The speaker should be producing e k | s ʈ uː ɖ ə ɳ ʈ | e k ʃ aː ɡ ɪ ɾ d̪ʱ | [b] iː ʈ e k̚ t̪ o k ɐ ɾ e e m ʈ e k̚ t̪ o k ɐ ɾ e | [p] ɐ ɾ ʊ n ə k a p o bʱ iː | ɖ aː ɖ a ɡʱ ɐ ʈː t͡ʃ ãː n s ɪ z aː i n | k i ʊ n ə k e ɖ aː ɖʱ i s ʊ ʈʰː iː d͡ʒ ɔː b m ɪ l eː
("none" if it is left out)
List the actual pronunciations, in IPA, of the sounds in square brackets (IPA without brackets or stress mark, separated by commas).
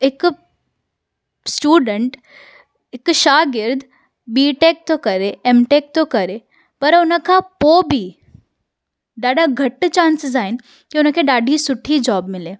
b, p